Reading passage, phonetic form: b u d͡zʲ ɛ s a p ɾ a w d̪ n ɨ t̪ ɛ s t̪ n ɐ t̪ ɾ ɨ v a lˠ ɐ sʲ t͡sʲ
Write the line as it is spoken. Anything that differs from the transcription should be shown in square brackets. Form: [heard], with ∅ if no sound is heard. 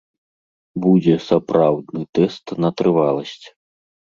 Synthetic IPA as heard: b u d͡zʲ ɛ s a p ɾ a w d̪ n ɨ t̪ ɛ s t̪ n ɐ t̪ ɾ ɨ v a lˠ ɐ sʲ t͡sʲ